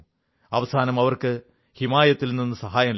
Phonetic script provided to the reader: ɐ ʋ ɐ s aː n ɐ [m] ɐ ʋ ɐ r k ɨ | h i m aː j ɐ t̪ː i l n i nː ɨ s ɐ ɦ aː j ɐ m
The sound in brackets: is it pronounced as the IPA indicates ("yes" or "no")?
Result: yes